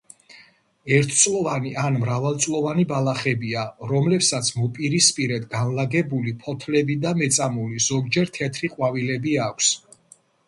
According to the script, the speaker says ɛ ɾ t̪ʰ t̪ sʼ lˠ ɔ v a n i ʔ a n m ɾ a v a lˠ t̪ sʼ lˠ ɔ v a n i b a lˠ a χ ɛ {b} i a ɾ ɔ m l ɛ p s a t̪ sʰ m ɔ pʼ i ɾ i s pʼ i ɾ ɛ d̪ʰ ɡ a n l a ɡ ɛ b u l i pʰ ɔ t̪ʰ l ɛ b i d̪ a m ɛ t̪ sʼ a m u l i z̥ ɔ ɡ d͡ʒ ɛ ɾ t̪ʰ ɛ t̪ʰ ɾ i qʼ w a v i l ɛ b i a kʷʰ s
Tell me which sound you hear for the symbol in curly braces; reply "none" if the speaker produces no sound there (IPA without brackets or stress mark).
b